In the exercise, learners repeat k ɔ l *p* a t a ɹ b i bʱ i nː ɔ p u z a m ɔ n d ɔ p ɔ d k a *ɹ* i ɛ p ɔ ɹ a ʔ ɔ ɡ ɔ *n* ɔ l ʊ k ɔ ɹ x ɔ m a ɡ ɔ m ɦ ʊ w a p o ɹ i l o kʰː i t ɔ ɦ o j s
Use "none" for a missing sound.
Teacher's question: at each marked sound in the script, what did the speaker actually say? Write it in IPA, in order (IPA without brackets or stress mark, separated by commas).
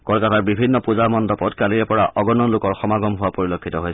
k, l, n